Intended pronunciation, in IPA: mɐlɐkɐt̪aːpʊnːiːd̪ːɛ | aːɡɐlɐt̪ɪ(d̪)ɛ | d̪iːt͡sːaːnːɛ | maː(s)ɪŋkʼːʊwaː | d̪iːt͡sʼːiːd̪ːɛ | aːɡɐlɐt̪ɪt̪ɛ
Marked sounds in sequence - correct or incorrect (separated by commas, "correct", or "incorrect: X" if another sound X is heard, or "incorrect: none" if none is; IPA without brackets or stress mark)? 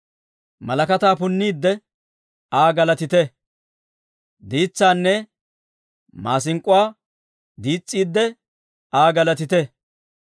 incorrect: t̪, correct